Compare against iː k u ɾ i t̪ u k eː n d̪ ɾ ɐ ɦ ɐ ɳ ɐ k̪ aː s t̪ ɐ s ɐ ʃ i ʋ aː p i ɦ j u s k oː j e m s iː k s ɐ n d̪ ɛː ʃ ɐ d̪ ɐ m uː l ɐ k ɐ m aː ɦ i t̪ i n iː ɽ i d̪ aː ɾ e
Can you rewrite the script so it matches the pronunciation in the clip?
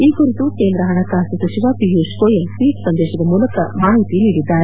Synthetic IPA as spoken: iː k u ɾ i t̪ u k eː n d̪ ɾ ɐ ɦ ɐ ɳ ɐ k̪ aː s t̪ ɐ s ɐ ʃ i ʋ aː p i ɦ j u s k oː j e m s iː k s ɐ n d̪ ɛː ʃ ɐ d̪ ɐ m uː l ɐ k ɐ m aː ɦ i t̪ i n iː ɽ i d̪ː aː ɾ e

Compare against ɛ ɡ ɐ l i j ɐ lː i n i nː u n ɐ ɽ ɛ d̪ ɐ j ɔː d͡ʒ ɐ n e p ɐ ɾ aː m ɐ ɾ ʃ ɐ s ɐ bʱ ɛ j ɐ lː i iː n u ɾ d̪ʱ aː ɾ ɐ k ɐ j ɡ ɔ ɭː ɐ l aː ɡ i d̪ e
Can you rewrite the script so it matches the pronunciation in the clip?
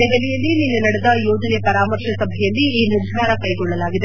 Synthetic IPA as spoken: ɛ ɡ ɐ l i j ɐ lː i n i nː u n ɐ ɽ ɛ d̪ ɐ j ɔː d͡ʒ ɐ n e p ɐ ɾ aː m ɐ ɾ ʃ ɐ s ɐ bʱ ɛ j ɐ lː i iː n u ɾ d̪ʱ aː ɾ ɐ k ɐ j ɡ ɔ ɭː ɐ l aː ɡ i d̪ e

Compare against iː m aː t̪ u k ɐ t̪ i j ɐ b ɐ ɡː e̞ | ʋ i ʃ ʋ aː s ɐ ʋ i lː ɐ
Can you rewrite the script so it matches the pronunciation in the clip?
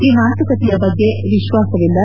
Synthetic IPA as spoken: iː m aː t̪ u k ɐ t̪ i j ɐ b ɐ ɡː e̞ | ʋ i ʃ ʋ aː s ɐ ʋ i lː ɐ

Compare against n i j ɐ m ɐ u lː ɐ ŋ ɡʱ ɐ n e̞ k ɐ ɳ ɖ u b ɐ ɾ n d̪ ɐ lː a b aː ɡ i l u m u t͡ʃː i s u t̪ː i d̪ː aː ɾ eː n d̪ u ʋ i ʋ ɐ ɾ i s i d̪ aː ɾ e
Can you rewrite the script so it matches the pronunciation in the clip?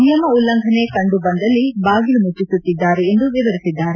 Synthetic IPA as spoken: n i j ɐ m ɐ u lː ɐ ŋ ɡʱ ɐ n e̞ k ɐ ɳ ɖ u b ɐ n d̪ ɐ lː i b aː ɡ i l u m u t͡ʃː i s u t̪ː i d̪ː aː ɾ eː n d̪ u ʋ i ʋ ɐ ɾ i s i d̪ː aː ɾ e

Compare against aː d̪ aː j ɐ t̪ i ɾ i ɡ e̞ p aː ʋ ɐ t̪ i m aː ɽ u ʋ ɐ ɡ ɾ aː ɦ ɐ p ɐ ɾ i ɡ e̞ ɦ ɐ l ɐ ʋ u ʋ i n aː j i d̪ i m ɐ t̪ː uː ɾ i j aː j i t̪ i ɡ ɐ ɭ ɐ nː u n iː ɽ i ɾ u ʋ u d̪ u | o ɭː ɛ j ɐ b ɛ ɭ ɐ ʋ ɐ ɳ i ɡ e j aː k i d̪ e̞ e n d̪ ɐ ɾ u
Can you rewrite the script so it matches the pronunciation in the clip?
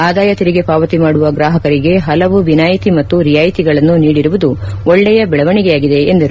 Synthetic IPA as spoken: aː d̪ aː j ɐ t̪ i ɾ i ɡ e̞ p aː ʋ ɐ t̪ i m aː ɽ u ʋ ɐ ɡ ɾ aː ɦ ɐ k ɐ ɾ i ɡ e̞ ɦ ɐ l ɐ ʋ u ʋ i n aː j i t̪ i m ɐ t̪ː u ɾ i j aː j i t̪ i ɡ ɐ ɭ ɐ nː u n iː ɽ i ɾ u ʋ u d̪ u | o ɭː ɛ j ɐ b ɛ ɭ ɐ ʋ ɐ ɳ i ɡ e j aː ɡ i d̪ e̞ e n d̪ ɐ ɾ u

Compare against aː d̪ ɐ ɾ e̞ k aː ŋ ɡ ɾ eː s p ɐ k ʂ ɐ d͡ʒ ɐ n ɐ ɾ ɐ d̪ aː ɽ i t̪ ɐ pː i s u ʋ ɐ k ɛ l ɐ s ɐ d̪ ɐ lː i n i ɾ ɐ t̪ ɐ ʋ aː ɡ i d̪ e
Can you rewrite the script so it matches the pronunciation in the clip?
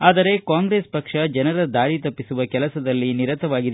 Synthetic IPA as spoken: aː d̪ ɐ ɾ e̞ k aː ŋ ɡ ɾ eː s p ɐ k ʂ ɐ d͡ʒ ɐ n ɐ ɾ ɐ d̪ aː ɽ i t̪ ɐ pː i s u ʋ ɐ k ɛ l ɐ s ɐ d̪ ɐ lː i n i ɾ ɐ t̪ ɐ ʋ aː ɡ i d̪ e

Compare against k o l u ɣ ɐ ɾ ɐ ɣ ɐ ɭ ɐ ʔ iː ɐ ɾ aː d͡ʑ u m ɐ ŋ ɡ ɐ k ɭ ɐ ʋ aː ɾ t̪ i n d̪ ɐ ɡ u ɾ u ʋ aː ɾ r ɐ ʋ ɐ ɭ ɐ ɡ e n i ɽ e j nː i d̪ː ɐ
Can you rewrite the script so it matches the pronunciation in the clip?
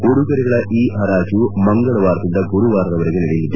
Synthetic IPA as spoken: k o ɽ u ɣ ɐ ɾ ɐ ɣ ɐ ɭ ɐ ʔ iː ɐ ɾ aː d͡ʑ u m ɐ ŋ ɡ ɐ ɭ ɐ ʋ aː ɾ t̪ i n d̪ ɐ ɡ u ɾ u ʋ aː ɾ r ɐ ʋ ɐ ɾ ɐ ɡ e n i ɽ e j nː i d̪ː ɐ

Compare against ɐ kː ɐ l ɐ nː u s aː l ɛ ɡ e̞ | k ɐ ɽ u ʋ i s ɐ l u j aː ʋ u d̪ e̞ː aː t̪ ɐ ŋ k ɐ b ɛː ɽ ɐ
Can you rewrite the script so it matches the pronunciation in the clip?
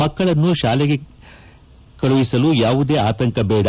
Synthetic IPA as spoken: ɐ kː ɐ ɭ ɐ nː u ʃ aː l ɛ ɡ e̞ | k ɐ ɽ u ʋ i s ɐ l u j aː ʋ u d̪ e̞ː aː t̪ ɐ ŋ k ɐ b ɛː ɽ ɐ

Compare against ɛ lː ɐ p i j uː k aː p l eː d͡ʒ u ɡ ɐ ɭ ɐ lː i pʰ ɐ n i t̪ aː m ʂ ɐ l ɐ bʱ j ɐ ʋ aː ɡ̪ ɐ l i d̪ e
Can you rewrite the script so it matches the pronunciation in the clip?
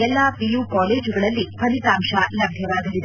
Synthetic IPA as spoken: ɛ lː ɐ p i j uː k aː l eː d͡ʒ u ɡ ɐ ɭ ɐ lː i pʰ ɐ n i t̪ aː m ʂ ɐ l ɐ bʱ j ɐ ʋ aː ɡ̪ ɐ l i d̪ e

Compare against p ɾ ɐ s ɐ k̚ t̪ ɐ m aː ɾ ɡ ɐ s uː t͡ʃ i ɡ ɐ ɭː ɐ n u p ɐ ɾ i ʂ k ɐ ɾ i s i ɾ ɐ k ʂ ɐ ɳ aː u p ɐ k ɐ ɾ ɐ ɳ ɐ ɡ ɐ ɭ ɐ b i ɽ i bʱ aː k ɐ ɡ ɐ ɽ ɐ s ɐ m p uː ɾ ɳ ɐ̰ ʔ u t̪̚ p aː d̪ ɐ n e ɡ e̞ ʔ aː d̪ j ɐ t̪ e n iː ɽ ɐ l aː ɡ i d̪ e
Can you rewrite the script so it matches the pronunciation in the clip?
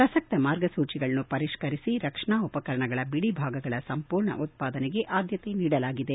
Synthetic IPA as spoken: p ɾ ɐ s ɐ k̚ t̪ ɐ m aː ɾ ɡ ɐ s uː t͡ʃ i ɡ ɐ ɭ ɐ n u p ɐ ɾ i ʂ k ɐ ɾ i s i ɾ ɐ k ʂ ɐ ɳ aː u p ɐ k ɐ ɾ ɐ ɳ ɐ ɡ ɐ ɭ ɐ b i ɽ i bʱ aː ɡ ɐ ɡ ɐ ɭ ɐ s ɐ m p uː ɾ ɳ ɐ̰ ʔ u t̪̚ p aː d̪ ɐ n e ɡ e̞ ʔ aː d̪ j ɐ t̪ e n iː ɽ ɐ l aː ɡ i d̪ e

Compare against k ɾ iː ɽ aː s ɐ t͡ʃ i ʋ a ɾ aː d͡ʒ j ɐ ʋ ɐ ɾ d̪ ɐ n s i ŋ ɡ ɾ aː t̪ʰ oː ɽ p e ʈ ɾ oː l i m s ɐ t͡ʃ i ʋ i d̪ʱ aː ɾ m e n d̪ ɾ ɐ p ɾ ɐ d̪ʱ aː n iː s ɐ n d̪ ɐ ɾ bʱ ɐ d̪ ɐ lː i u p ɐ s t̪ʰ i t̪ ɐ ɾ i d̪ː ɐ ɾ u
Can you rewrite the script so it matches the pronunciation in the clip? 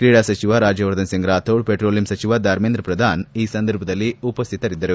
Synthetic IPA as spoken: k ɾ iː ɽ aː s ɐ t͡ʃ i ʋ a ɾ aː d͡ʒ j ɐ ʋ ɐ ɾ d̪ ɐ n s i ŋ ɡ ɾ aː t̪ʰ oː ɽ p e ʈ ɾ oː l i m s ɐ t͡ʃ i ʋ a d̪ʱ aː ɾ m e n d̪ ɾ ɐ p ɾ ɐ d̪ʱ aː n iː s ɐ n d̪ ɐ ɾ bʱ ɐ d̪ ɐ lː i u p ɐ s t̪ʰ i t̪ ɐ ɾ i d̪ː ɐ ɾ u

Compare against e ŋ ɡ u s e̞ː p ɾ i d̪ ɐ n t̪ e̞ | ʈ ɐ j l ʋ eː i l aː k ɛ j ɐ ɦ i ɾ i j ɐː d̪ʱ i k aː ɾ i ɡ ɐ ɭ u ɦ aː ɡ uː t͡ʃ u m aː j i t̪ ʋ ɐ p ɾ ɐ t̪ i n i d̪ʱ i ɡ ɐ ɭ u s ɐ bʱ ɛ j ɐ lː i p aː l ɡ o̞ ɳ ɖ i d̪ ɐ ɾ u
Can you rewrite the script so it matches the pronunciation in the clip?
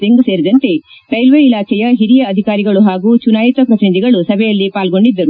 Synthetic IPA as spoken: e ŋ ɡ u s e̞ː ɾ i d̪ ɐ n t̪ e̞ | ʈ ɐ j l ʋ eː i l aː k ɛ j ɐ ɦ i ɾ i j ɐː d̪ʱ i k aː ɾ i ɡ ɐ ɭ u ɦ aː ɡ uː t͡ʃ u n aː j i t̪ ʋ ɐ p ɾ ɐ t̪ i n i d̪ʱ i ɡ ɐ ɭ u s ɐ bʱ ɛ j ɐ lː i p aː l ɡ o̞ ɳ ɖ i d̪ː ɐ ɾ u

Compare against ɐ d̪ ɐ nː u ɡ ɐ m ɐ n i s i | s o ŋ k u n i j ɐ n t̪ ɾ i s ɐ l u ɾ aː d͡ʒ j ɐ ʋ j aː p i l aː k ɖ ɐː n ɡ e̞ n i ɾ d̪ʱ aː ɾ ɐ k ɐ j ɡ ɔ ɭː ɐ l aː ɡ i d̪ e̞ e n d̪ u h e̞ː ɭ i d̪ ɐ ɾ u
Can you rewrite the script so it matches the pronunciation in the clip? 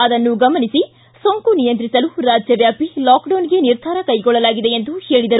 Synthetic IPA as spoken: ɐ d̪ ɐ nː u ɡ ɐ m ɐ n i s i | s o ŋ k u n i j ɐ n t̪ ɾ i s ɐ l u ɾ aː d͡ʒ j ɐ ʋ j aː p i l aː k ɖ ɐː n ɡ e̞ n i ɾ d̪ʱ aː ɾ ɐ k ɐ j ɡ ɔ ɭː ɐ l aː ɡ i d̪ e̞ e n d̪ u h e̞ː ɭ i d̪ ɐ ɾ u

